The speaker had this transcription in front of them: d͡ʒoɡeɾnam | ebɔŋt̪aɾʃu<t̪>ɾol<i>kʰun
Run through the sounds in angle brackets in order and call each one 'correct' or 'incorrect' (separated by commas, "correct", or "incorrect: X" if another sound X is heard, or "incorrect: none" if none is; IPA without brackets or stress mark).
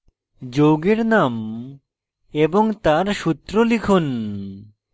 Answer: correct, correct